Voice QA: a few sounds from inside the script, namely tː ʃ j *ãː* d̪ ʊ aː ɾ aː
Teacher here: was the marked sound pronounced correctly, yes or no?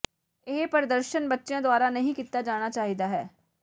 yes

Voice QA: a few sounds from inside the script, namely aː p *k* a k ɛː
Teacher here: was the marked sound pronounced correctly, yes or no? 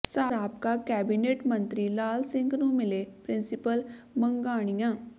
yes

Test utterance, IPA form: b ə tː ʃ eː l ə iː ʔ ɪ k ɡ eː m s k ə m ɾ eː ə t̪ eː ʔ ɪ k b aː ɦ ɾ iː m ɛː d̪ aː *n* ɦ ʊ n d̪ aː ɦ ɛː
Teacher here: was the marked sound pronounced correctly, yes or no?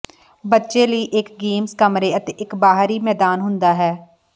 yes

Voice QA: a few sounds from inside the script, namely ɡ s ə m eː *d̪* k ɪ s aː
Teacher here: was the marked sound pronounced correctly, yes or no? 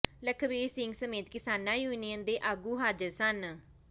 no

